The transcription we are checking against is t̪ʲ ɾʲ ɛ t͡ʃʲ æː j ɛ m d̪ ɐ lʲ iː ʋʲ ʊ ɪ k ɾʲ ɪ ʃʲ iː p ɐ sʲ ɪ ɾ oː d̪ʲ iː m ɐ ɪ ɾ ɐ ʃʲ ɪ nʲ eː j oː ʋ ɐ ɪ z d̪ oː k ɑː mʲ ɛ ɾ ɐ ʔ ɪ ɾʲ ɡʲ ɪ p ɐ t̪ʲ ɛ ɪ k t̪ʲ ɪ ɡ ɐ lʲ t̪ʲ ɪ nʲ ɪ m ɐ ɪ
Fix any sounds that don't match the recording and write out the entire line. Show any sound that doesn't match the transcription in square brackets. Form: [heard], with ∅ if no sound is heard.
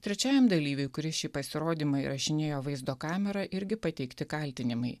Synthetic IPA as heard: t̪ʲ ɾʲ ɛ t͡ʃʲ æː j ɛ m d̪ ɐ lʲ iː ʋʲ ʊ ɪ k ɾʲ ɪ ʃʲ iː p ɐ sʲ ɪ ɾ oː d̪ʲ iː m ɐ ɪ ɾ ɐ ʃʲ ɪ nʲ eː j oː ʋ ɐ ɪ z d̪ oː k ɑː mʲ ɛ ɾ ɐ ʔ ɪ ɾʲ ɡʲ ɪ p ɐ t̪ʲ ɛ ɪ k t̪ʲ ɪ [k] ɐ lʲ t̪ʲ ɪ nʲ ɪ m ɐ ɪ